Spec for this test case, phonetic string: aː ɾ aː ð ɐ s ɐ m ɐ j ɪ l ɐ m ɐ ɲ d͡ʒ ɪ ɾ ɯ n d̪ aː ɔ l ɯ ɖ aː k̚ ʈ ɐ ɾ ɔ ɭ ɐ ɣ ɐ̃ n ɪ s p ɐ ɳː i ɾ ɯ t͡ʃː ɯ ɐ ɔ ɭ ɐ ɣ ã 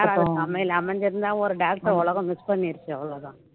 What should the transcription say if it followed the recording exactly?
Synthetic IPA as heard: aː ɾ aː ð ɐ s ɐ m ɐ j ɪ l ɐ m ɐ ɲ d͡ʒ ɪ ɾ ɯ n d̪ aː ɔ ɾ ɯ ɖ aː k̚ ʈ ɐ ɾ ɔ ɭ ɐ ɣ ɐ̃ m ɪ s p ɐ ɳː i ɾ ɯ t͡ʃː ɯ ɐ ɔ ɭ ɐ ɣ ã